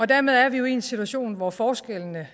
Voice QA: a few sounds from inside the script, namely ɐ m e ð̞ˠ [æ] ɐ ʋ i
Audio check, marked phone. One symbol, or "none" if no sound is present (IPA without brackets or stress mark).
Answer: æ